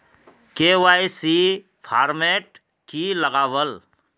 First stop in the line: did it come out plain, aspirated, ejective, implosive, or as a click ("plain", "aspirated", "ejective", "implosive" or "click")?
plain